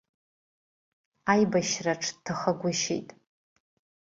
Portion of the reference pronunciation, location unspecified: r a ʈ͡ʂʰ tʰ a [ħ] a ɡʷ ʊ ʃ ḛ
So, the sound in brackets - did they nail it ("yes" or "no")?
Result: no